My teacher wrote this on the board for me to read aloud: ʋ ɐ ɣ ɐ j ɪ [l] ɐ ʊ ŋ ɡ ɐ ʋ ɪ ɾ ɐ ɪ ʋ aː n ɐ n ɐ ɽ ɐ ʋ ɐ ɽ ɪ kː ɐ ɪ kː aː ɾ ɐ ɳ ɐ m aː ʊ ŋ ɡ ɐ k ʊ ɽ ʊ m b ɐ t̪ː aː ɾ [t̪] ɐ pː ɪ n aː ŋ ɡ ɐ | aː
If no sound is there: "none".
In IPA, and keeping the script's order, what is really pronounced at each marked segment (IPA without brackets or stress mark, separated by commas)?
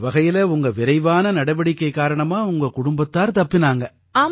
l, t̪